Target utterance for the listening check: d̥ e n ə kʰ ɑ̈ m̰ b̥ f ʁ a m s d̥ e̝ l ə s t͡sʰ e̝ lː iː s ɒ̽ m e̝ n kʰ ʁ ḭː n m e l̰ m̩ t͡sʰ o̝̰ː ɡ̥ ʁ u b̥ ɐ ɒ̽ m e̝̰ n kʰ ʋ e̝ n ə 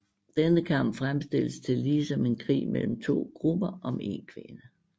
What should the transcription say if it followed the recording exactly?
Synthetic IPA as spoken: d̥ e n ə kʰ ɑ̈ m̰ b̥ f ʁ a m s d̥ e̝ l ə s t͡sʰ e̝ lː iː s ɒ̽ m e̝ n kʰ ʁ ḭː m e l̰ m̩ t͡sʰ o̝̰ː ɡ̥ ʁ u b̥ ɐ ɒ̽ m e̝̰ n kʰ ʋ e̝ n ə